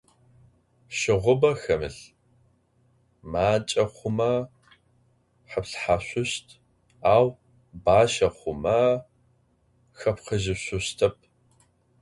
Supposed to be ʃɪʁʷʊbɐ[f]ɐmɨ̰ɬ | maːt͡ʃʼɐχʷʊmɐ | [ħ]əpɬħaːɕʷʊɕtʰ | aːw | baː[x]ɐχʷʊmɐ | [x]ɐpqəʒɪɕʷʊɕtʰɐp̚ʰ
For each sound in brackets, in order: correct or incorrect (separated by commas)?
incorrect, correct, incorrect, correct